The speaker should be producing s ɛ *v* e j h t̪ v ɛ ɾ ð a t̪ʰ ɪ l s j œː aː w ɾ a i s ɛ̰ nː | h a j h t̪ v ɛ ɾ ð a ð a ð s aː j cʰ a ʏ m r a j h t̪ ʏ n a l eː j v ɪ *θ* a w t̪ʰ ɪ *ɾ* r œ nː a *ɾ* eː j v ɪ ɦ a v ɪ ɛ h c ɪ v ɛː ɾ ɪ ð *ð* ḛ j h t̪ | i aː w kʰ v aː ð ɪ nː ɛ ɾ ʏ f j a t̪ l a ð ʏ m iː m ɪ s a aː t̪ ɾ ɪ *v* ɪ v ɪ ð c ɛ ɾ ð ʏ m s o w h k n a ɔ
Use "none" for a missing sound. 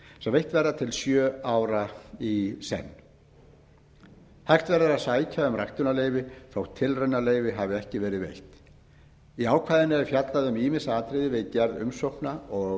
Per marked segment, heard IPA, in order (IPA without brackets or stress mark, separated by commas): v, θ, l, l, v, ð